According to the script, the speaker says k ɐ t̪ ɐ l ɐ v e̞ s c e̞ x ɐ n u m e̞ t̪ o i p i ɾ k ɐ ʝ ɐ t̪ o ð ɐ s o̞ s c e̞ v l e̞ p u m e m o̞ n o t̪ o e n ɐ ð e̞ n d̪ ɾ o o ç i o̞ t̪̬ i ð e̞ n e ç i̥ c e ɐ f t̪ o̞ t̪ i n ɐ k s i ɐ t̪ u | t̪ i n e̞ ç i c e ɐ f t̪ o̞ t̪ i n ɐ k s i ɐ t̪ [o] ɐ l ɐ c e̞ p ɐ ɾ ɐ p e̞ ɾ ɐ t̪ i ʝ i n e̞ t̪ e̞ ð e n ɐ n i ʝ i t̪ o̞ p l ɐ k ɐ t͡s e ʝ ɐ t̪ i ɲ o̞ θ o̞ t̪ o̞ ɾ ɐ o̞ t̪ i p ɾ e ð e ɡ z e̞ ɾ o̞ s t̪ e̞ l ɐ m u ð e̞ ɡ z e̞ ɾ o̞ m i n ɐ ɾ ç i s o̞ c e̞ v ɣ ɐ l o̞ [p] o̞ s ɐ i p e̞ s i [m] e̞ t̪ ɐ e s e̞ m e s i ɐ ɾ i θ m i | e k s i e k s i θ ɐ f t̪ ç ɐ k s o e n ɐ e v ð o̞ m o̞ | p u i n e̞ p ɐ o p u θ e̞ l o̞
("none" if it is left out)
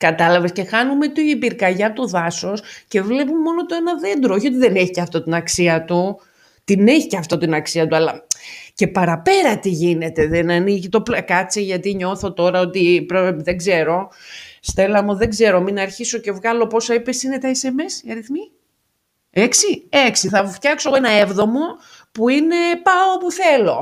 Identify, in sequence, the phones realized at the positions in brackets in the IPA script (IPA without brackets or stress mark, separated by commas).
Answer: u, p, n